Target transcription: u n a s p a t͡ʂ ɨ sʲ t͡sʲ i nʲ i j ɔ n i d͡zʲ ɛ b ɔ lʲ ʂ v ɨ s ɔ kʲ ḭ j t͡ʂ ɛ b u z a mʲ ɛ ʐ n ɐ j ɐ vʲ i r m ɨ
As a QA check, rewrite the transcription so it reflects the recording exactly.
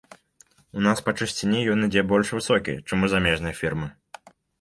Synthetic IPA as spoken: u n a s p ɐ t͡ʂ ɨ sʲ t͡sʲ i nʲ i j ɔ n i d͡zʲ ɛ b ɔ lʲ ʂ v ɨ s ɔ kʲ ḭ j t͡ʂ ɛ m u z a mʲ ɛ ʐ n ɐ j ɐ fʲ i r m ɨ